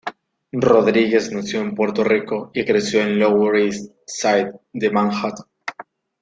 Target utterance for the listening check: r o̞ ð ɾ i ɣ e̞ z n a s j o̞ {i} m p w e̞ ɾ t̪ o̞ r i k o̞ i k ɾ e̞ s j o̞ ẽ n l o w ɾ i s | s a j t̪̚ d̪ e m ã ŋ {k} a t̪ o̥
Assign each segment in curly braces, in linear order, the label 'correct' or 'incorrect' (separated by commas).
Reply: incorrect, incorrect